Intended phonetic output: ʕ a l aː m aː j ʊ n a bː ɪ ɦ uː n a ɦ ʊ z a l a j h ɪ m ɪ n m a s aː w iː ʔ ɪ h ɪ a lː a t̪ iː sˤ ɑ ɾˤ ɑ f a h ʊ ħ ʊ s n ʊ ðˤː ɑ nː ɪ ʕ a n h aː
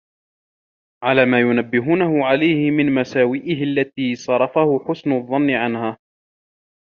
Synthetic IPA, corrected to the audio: ʕ a l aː m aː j ʊ n a bː ɪ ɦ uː n a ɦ ʊ ʕ a l a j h ɪ m ɪ n m a s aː w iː ʔ ɪ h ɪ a lː a t̪ iː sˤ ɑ ɾˤ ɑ f a h ʊ ħ ʊ s n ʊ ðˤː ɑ nː ɪ ʕ a n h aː